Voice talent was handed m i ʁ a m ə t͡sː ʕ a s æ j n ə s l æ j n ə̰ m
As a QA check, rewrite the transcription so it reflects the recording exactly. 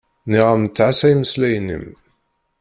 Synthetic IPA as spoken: n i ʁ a m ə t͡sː ʕ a s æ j m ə s l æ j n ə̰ m